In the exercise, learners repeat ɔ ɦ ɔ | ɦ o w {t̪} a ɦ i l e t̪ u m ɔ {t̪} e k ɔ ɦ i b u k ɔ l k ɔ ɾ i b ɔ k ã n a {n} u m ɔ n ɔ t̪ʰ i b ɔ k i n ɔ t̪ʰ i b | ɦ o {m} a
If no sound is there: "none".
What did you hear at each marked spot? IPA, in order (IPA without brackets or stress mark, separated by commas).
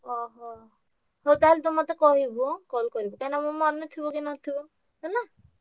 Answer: t̪, t̪, m, n